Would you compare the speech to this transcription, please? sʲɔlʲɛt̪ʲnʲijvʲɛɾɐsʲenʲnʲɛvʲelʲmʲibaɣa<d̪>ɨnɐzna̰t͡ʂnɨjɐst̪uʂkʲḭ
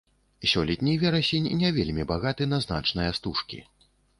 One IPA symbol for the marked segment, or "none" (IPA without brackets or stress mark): t̪